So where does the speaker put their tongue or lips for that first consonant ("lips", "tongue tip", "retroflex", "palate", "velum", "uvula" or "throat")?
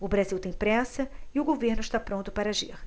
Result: lips